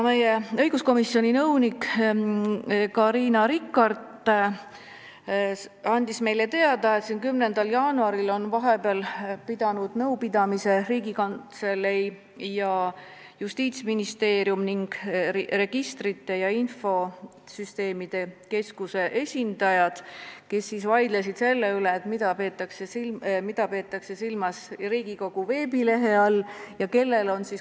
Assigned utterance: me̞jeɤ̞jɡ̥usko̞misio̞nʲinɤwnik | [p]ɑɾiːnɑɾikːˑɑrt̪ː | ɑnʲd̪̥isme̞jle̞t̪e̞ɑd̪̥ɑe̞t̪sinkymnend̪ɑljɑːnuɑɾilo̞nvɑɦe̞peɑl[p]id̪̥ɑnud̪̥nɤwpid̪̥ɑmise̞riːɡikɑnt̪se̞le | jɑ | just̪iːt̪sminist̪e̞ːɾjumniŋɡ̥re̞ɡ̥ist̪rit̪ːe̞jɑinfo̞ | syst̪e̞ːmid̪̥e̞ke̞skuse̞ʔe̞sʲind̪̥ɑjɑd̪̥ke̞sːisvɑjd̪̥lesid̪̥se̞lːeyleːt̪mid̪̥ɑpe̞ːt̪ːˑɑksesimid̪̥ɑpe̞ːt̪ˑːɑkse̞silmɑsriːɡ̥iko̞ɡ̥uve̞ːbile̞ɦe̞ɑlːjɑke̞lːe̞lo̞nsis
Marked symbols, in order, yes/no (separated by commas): no, yes